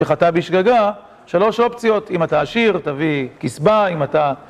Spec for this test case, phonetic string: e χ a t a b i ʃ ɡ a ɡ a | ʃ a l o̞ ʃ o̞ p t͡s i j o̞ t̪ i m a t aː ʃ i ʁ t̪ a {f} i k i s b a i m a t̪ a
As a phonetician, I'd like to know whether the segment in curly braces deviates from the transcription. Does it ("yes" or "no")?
yes